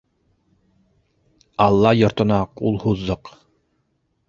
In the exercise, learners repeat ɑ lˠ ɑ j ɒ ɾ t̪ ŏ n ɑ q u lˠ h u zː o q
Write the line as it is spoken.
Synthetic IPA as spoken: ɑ lˠː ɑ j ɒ ɾ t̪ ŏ n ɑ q u lˠ h u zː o q